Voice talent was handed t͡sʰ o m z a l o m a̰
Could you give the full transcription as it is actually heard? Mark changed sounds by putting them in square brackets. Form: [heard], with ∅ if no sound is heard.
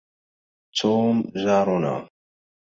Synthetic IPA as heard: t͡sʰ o m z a [ɾ] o [n] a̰